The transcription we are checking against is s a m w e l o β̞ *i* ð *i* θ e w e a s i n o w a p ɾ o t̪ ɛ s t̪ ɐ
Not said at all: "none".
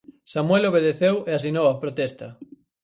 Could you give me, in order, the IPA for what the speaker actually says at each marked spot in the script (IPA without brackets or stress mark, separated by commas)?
e, e